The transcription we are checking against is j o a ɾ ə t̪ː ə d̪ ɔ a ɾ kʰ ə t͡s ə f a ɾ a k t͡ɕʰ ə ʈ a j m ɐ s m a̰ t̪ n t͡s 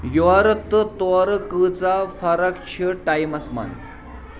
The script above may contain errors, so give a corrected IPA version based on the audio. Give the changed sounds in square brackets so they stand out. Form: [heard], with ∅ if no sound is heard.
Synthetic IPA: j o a ɾ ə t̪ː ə [t̪] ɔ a ɾ [k] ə t͡s [a] f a ɾ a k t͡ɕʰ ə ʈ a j m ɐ s m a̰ [∅] n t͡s